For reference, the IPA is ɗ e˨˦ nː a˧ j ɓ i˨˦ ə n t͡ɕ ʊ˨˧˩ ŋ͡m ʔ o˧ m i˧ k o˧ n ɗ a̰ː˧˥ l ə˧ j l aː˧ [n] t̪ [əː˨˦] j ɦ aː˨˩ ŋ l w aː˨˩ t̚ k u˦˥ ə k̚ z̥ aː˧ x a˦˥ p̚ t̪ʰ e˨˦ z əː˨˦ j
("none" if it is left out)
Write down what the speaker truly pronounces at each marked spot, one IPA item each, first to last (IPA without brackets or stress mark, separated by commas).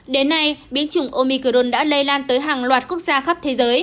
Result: n, əː˨˦